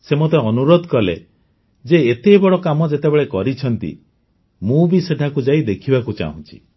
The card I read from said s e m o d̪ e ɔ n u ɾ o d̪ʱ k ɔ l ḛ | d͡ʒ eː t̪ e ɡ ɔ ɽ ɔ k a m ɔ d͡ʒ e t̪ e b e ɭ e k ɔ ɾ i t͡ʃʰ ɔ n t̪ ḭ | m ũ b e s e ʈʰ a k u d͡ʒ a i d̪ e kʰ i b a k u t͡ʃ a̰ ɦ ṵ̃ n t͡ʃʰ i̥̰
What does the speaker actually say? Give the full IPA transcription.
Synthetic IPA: s e m o t̪ e ɔ n u ɾ o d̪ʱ k ɔ l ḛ | d͡ʒ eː t̪ e b ɔ ɽ ɔ k a m ɔ d͡ʒ e t̪ e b e ɭ e k ɔ ɾ i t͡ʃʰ ɔ n t̪ ḭ | m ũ b i s e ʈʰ a k u d͡ʒ a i d̪ e kʰ i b a k u t͡ʃ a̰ ɦ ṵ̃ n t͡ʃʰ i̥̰